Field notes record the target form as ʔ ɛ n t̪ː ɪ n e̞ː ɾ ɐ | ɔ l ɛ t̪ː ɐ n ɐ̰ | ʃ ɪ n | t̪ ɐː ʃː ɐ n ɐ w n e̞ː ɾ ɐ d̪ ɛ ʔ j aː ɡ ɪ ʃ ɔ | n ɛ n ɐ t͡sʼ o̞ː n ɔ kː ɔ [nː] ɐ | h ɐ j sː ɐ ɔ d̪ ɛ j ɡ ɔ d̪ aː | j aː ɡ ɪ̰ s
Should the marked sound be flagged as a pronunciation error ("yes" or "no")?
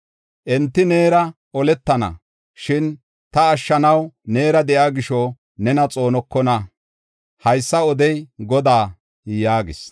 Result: yes